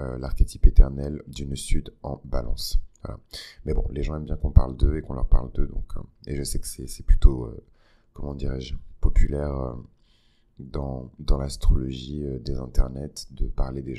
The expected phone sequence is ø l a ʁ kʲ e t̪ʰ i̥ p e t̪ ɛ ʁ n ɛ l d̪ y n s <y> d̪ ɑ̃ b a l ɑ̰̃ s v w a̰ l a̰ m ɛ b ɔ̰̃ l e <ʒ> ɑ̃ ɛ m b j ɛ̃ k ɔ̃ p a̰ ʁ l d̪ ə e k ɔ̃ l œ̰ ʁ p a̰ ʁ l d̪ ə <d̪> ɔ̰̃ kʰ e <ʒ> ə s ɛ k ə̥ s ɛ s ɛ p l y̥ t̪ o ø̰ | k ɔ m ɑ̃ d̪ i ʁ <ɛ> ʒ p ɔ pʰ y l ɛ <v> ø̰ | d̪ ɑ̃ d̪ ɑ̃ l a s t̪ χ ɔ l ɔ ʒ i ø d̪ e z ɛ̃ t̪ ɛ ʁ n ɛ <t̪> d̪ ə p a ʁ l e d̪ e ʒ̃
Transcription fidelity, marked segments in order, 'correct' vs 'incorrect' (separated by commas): correct, correct, correct, correct, correct, incorrect, correct